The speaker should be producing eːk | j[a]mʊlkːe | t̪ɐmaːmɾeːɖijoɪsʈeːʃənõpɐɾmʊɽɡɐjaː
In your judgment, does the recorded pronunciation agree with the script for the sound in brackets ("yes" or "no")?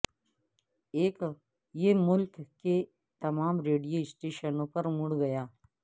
no